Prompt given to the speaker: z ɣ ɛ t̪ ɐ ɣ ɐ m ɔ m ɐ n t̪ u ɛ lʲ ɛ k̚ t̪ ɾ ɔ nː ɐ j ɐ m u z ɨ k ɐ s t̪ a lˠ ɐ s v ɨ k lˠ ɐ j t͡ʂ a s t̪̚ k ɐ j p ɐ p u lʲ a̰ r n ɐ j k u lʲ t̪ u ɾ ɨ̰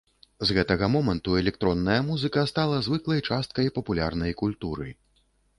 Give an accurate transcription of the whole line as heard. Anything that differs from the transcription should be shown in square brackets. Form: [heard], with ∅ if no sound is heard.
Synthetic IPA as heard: z ɣ ɛ t̪ ɐ ɣ ɐ m ɔ m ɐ n t̪ u ɛ lʲ ɛ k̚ t̪ ɾ ɔ nː ɐ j ɐ m u z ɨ k ɐ s t̪ a lˠ ɐ [z] v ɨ k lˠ ɐ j t͡ʂ a s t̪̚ k ɐ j p ɐ p u lʲ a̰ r n ɐ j k u lʲ t̪ u ɾ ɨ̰

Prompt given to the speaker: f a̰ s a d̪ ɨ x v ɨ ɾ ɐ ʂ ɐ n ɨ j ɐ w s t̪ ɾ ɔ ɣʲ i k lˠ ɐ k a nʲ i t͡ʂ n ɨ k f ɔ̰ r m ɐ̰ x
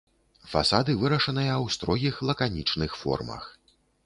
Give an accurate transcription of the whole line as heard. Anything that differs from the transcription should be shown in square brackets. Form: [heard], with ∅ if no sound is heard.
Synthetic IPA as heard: f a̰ s a d̪ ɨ [∅] v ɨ ɾ ɐ ʂ ɐ n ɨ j ɐ w s t̪ ɾ ɔ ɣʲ i [x] lˠ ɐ k a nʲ i t͡ʂ n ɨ [x] f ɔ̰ r m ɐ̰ x

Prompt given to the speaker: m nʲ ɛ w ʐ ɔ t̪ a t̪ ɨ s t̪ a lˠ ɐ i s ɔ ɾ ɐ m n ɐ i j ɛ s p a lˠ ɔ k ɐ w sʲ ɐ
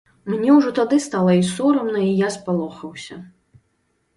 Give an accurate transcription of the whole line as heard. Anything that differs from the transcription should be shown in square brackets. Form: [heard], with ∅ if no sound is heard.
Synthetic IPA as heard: m nʲ ɛ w ʐ ɔ t̪ a [d̪] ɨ s t̪ a lˠ ɐ i s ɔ ɾ ɐ m n ɐ i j [a] s p a lˠ ɔ [x] ɐ w sʲ ɐ

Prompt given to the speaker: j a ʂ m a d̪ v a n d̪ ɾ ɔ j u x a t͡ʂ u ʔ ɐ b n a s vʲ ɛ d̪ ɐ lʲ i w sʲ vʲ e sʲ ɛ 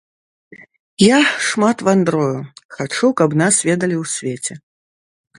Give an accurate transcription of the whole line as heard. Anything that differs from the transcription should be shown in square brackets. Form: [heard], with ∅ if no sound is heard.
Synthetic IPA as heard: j a ʂ m a [t̪] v a n d̪ ɾ ɔ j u x a t͡ʂ u [k] ɐ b n a s vʲ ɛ d̪ ɐ lʲ i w sʲ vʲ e [t͡sʲ] ɛ

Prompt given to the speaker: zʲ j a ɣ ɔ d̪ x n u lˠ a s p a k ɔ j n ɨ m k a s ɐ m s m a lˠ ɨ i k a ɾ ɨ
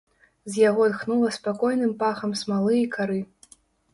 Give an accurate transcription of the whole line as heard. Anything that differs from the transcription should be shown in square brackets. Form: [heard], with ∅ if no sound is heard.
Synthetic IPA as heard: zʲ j a ɣ ɔ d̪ x n u lˠ [ɐ] s p a k ɔ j n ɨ m [p] a [x] ɐ m s m a lˠ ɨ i k a ɾ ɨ

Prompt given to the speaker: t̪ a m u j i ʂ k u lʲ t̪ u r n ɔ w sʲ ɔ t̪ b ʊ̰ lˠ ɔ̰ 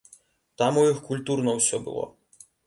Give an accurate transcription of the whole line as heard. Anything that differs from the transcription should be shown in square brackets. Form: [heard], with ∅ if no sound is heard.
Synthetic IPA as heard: t̪ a m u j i [x] k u lʲ t̪ u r n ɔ w sʲ ɔ [∅] b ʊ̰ lˠ ɔ̰

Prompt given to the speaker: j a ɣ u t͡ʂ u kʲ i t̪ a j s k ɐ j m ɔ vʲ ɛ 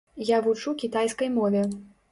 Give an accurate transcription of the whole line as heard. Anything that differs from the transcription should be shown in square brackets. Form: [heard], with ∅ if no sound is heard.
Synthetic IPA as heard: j a [v] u t͡ʂ u kʲ i t̪ a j s k ɐ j m ɔ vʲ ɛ

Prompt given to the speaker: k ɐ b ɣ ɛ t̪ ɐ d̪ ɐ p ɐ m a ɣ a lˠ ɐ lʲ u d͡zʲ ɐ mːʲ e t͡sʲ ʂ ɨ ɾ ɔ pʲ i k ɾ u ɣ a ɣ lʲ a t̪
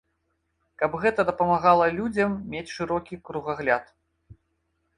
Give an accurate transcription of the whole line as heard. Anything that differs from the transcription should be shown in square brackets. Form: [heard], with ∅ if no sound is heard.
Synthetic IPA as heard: k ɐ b ɣ ɛ t̪ ɐ d̪ ɐ p ɐ m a ɣ a lˠ ɐ lʲ u d͡zʲ ɐ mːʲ e t͡sʲ ʂ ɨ ɾ ɔ [kʲ] i k ɾ u ɣ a ɣ lʲ a t̪

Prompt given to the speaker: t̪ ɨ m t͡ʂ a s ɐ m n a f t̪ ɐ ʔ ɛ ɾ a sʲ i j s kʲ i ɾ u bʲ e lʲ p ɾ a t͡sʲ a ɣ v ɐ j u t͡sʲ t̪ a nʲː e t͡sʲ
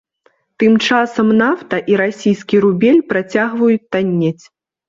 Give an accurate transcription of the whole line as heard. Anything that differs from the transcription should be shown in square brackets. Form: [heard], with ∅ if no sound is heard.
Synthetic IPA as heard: t̪ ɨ m t͡ʂ a s ɐ m n a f t̪ ɐ ʔ [i] ɾ a sʲ i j s kʲ i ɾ u bʲ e lʲ p ɾ a t͡sʲ a ɣ v ɐ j u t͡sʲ t̪ a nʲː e t͡sʲ

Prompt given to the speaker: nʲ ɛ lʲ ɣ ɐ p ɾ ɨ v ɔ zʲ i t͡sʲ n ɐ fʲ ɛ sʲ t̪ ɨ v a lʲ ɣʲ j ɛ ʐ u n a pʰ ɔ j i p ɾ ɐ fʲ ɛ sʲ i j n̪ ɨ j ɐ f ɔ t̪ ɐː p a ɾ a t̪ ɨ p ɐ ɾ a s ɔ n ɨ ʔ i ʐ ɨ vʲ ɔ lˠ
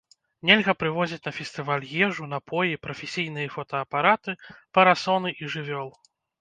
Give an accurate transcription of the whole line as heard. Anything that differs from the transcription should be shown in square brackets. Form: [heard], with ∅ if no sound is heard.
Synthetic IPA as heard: nʲ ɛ lʲ ɣ ɐ p ɾ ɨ v ɔ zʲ i t͡sʲ n ɐ fʲ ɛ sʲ t̪ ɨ v a lʲ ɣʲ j ɛ ʐ u n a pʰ ɔ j i p ɾ ɐ fʲ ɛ sʲ i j n̪ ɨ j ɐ f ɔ t̪ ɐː p a ɾ a t̪ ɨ p ɐ ɾ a s ɔ n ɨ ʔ i ʐ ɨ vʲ ɔ lˠ

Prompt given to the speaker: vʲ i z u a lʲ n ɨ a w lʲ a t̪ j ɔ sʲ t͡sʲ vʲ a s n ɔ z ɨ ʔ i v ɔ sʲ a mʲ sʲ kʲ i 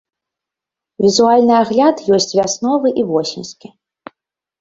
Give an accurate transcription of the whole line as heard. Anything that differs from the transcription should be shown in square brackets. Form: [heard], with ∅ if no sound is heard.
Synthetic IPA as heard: vʲ i z u a lʲ n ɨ a [ɣ] lʲ a t̪ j ɔ sʲ t͡sʲ vʲ a s n ɔ [v] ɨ ʔ i v ɔ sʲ [i] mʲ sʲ kʲ i

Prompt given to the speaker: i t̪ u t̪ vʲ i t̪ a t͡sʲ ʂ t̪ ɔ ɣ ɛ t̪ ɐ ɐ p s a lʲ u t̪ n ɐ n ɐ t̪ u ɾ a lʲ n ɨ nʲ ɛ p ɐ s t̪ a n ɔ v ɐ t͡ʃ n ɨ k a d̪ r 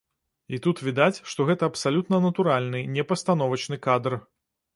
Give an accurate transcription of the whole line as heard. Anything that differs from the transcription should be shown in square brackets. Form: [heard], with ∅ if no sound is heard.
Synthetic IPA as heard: i t̪ u t̪ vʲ i [d̪] a t͡sʲ ʂ t̪ ɔ ɣ ɛ t̪ ɐ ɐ p s a lʲ u t̪ n ɐ n ɐ t̪ u ɾ a lʲ n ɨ nʲ ɛ p ɐ s t̪ a n ɔ v ɐ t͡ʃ n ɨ k a d̪ r

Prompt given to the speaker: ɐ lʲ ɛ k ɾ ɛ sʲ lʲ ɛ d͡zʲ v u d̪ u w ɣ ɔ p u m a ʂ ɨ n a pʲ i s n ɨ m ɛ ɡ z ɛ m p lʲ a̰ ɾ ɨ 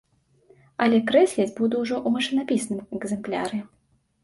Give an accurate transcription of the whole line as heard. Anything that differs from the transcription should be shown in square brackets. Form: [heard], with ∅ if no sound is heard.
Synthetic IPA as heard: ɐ lʲ ɛ k ɾ ɛ sʲ lʲ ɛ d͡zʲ [b] u d̪ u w [ʐ] ɔ [ʔ] u m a ʂ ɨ n a pʲ i s n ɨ m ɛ ɡ z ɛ m p lʲ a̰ ɾ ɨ

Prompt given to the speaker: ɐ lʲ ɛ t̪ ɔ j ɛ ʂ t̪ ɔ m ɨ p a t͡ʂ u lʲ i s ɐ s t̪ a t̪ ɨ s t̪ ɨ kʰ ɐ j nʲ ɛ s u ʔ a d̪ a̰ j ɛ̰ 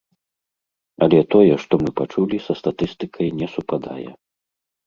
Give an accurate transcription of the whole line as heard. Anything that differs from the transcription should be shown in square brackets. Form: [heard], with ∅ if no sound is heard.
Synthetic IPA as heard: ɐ lʲ ɛ t̪ ɔ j ɛ ʂ t̪ ɔ m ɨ p a t͡ʂ u lʲ i s ɐ s t̪ a t̪ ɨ s t̪ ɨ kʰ ɐ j nʲ ɛ s u [p] a d̪ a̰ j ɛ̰

